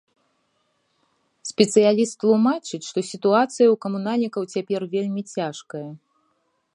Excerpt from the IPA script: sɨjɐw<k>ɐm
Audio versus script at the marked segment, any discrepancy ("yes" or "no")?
no